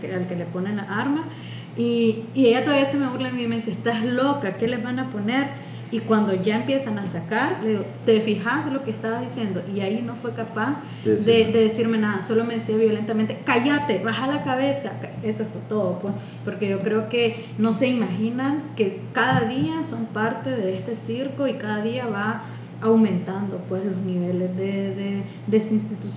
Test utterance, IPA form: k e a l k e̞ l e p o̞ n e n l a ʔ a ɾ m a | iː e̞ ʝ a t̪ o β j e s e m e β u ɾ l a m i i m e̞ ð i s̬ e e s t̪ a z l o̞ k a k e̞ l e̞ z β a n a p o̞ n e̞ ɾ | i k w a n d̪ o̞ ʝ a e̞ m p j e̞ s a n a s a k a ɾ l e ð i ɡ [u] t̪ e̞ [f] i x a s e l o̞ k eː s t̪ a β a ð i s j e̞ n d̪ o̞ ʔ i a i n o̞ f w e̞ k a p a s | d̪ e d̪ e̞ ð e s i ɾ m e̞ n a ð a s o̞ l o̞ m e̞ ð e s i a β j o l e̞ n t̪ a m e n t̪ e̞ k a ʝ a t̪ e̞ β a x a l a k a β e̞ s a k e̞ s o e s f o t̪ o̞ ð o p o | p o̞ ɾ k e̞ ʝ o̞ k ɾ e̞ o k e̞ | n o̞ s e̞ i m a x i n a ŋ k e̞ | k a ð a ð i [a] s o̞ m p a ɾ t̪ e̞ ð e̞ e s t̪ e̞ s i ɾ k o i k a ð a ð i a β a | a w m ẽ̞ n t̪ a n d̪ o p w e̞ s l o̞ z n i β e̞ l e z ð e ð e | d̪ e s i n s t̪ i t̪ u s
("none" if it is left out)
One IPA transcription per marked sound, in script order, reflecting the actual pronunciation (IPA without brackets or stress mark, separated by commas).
o, f, a